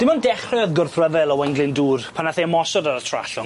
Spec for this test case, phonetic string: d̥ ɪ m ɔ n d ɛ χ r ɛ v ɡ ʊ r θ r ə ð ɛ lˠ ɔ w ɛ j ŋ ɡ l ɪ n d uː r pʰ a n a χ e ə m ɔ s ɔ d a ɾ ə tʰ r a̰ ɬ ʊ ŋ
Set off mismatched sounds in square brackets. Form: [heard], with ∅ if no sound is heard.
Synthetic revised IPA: d̥ ɪ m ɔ n d ɛ χ r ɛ [ð] ɡ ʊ r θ r ə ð ɛ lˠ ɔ w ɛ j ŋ ɡ l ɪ n d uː r pʰ a n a [θ] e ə m ɔ s ɔ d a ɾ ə tʰ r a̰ ɬ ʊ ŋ